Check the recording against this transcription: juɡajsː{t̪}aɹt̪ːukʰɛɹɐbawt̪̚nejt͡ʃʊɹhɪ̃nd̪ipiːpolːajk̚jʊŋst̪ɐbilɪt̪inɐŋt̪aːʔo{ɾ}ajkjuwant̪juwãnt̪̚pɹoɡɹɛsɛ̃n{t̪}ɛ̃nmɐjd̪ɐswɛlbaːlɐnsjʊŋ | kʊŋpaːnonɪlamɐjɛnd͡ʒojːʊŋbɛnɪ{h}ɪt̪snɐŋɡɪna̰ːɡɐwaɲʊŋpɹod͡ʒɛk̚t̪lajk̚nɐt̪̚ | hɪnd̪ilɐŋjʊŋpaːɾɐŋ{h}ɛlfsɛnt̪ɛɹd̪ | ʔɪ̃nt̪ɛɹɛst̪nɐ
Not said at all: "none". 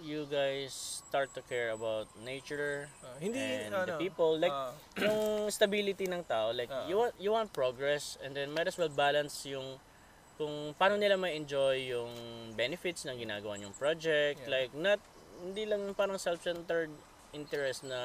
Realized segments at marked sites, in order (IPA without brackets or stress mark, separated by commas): t̪, l, d̪, f, s